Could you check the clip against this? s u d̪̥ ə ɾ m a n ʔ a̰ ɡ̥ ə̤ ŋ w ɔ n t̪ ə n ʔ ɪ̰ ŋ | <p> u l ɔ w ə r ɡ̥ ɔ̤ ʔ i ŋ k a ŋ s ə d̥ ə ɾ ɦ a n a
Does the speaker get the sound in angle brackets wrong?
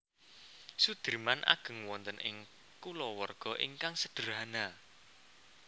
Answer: yes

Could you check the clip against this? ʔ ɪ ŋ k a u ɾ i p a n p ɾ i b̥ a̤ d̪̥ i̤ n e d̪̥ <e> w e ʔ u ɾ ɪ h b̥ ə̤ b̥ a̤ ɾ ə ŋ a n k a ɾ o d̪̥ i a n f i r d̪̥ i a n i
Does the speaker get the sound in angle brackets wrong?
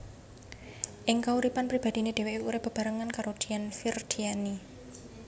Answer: no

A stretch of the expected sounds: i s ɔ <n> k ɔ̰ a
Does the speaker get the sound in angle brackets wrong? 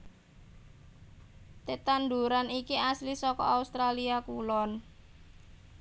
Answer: yes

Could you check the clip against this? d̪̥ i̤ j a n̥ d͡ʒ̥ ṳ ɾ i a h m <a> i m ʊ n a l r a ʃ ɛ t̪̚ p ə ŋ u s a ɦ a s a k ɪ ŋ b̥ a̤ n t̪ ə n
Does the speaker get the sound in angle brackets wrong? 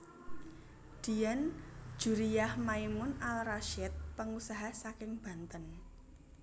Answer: no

